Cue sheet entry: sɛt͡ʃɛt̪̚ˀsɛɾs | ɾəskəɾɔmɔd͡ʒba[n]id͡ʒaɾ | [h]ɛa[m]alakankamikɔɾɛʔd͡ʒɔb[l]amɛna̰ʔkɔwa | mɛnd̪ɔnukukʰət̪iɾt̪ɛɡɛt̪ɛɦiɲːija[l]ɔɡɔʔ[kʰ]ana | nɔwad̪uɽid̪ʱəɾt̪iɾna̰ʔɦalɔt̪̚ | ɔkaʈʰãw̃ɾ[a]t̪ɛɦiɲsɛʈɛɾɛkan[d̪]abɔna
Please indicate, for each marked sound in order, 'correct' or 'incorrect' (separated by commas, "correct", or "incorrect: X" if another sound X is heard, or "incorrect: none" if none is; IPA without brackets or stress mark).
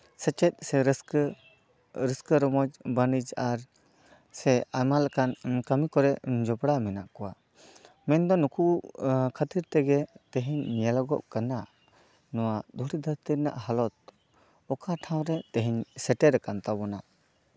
correct, incorrect: s, correct, incorrect: ɽ, correct, incorrect: k, incorrect: ɛ, incorrect: t̪